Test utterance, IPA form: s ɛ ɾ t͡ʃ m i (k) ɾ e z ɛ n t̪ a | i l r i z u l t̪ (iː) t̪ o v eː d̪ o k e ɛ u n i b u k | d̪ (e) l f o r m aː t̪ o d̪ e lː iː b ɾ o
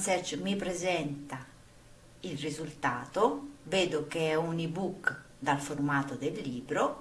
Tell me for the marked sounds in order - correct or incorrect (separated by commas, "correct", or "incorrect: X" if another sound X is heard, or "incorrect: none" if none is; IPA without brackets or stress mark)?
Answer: incorrect: p, incorrect: aː, incorrect: a